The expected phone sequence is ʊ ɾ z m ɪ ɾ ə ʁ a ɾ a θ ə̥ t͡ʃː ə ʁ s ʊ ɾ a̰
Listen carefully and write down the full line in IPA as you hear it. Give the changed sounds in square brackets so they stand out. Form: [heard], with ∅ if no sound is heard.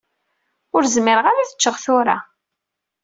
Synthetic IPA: ʊ ɾ z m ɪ ɾ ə ʁ a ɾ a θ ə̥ t͡ʃː ə ʁ [θ] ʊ ɾ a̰